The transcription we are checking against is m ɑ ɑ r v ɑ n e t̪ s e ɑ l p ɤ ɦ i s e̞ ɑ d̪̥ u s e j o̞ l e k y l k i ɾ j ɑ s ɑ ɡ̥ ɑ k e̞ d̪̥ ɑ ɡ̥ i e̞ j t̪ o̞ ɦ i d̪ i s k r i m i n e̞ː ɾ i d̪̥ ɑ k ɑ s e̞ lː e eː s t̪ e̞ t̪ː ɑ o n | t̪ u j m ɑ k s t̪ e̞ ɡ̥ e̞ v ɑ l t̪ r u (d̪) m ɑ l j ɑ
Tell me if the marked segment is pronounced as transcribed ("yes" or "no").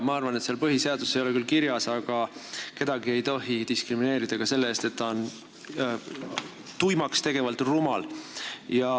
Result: no